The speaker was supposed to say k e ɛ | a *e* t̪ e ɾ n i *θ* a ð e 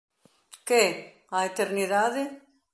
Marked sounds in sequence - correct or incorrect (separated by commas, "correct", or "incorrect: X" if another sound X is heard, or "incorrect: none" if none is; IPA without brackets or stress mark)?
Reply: correct, incorrect: ð